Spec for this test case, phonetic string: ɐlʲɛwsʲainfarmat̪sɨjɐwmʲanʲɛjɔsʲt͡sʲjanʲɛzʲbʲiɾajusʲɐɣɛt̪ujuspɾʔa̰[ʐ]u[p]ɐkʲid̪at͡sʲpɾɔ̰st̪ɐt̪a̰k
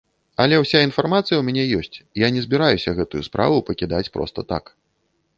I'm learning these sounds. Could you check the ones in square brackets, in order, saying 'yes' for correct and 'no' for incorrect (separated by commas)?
no, yes